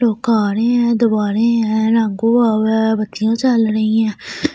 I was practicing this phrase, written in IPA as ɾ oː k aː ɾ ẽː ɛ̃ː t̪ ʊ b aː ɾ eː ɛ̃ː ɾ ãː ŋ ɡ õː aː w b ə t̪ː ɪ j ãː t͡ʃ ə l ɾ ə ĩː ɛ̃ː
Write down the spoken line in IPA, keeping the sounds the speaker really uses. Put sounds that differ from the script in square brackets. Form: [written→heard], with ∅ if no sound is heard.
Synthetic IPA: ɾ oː k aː ɾ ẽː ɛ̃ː [t̪→d̪] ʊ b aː ɾ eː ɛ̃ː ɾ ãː ŋ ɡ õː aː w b ə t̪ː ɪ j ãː t͡ʃ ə l ɾ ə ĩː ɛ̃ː